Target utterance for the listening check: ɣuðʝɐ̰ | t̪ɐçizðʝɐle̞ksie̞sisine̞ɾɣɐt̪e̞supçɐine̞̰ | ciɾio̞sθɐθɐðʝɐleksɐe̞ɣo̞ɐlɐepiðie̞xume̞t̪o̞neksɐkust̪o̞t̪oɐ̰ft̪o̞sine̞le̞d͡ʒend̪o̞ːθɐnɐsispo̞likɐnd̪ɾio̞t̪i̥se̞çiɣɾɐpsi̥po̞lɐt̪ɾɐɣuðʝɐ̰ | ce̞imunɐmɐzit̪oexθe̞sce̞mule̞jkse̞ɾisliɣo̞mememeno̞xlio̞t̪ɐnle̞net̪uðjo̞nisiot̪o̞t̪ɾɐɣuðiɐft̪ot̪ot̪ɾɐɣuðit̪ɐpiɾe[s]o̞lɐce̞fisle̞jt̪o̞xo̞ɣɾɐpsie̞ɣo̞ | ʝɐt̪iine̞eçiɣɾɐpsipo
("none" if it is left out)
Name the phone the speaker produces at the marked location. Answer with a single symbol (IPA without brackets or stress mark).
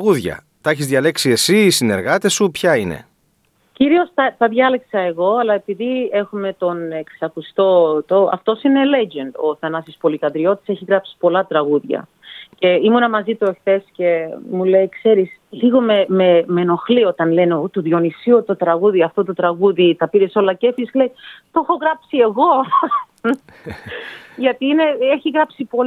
s